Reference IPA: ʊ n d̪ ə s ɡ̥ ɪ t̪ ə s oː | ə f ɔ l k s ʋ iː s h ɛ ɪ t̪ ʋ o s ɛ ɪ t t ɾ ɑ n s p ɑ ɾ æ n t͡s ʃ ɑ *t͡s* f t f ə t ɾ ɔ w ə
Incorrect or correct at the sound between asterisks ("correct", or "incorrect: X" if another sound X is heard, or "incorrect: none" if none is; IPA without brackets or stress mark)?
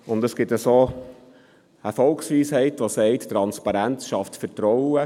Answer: incorrect: none